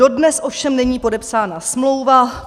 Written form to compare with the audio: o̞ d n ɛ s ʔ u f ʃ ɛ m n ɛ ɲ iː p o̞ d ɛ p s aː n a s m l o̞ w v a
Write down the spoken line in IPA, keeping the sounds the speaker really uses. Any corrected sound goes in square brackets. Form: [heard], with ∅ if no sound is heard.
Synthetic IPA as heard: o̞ d n ɛ s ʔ [o] f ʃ ɛ m n ɛ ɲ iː p o̞ d ɛ p s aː n a s m l o̞ w v a

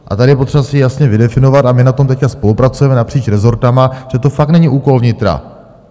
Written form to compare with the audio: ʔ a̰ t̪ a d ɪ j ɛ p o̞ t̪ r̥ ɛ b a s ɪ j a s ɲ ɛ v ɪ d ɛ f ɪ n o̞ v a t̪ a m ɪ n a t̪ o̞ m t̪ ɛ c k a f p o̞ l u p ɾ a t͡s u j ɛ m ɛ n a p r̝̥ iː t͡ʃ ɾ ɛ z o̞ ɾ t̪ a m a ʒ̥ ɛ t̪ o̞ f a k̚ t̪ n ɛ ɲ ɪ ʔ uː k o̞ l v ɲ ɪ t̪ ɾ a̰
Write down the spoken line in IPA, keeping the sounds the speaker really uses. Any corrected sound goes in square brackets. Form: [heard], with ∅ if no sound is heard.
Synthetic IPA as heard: ʔ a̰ t̪ a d ɪ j ɛ p o̞ t̪ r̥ ɛ b a s ɪ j a s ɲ ɛ v ɪ d ɛ f ɪ n o̞ v a t̪ a m ɪ n a t̪ o̞ m t̪ ɛ c k a [s] p o̞ l u p ɾ a t͡s u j ɛ m ɛ n a p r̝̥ iː t͡ʃ ɾ ɛ z o̞ ɾ t̪ a m a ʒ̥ ɛ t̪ o̞ f a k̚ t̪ n ɛ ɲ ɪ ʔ uː k o̞ l v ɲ ɪ t̪ ɾ a̰

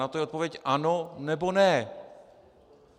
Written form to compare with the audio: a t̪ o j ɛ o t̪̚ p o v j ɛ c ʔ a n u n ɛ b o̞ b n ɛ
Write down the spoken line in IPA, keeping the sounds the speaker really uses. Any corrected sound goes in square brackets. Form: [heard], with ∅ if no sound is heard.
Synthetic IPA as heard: a t̪ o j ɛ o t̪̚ p o v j ɛ c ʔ a n [o] n ɛ b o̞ [∅] n ɛ

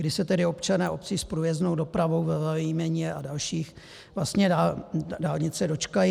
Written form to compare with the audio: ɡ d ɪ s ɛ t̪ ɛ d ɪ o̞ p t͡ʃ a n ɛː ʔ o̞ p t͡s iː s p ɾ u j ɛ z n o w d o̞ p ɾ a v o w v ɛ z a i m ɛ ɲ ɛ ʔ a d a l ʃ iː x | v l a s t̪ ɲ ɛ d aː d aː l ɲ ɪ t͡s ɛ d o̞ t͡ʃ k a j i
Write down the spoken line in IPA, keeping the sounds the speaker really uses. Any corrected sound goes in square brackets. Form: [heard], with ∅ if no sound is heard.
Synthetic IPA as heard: ɡ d ɪ s ɛ t̪ ɛ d ɪ o̞ p t͡ʃ a n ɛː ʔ o̞ p t͡s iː s p ɾ u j ɛ z n o w d o̞ p ɾ a v o w v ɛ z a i m ɛ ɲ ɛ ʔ a d a l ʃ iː x | v l a s t̪ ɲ ɛ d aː d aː l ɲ ɪ t͡s ɛ d o̞ t͡ʃ k a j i

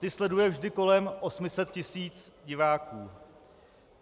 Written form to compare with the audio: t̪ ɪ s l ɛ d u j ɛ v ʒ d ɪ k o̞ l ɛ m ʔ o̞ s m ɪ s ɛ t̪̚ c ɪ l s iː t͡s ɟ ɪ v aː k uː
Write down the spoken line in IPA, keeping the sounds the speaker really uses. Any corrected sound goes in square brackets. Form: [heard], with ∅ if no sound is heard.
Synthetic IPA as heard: t̪ ɪ s l ɛ d u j ɛ v ʒ d ɪ k o̞ l ɛ m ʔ o̞ s m ɪ s ɛ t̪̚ c ɪ [∅] s iː t͡s ɟ ɪ v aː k uː

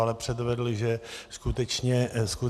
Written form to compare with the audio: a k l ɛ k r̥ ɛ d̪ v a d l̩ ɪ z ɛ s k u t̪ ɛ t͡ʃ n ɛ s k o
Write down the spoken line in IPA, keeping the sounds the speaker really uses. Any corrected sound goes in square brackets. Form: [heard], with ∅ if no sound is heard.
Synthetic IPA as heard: a [∅] l ɛ [p] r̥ ɛ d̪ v [ɛ] d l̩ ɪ [ʒ] ɛ s k u t̪ ɛ t͡ʃ [ɲ] ɛ s k [u]

